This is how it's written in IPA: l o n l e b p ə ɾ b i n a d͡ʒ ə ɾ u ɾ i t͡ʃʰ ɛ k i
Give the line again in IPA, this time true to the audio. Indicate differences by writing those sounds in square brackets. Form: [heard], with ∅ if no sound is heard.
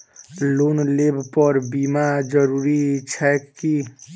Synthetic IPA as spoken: l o n l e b p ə ɾ b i [m] a d͡ʒ ə ɾ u ɾ i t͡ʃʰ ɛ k i